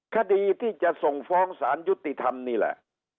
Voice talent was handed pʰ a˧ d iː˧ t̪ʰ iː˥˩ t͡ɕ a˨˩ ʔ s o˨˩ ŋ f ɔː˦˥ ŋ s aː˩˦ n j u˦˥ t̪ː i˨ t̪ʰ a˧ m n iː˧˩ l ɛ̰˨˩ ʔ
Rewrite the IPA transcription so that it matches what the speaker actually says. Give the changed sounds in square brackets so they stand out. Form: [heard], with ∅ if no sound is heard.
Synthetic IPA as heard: [kʰ] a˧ d iː˧ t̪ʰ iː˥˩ t͡ɕ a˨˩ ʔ s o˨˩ ŋ f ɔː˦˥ ŋ s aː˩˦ n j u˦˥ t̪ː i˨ t̪ʰ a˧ m n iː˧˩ l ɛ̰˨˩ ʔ